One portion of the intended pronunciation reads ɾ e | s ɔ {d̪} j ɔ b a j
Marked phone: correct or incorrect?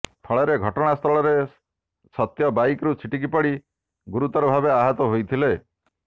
incorrect